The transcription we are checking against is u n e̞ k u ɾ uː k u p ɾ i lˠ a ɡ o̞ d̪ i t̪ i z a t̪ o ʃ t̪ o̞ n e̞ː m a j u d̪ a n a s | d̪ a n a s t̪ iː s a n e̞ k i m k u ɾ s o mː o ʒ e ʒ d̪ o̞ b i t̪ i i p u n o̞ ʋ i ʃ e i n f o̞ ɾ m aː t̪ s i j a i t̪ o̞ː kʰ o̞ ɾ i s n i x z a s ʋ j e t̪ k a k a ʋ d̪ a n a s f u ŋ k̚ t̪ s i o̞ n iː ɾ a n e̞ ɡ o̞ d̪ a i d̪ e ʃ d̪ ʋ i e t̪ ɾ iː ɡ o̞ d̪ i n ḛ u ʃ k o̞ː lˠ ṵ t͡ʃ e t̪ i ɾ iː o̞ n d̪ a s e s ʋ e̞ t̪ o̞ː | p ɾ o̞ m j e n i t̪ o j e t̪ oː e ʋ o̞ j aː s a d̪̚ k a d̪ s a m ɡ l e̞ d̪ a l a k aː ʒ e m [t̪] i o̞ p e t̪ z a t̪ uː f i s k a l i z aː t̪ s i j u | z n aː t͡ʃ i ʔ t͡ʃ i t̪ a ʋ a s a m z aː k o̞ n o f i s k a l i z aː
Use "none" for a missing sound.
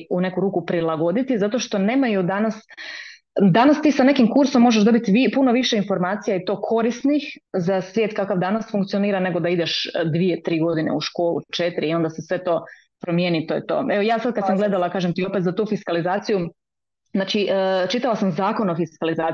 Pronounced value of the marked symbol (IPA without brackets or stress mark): t̪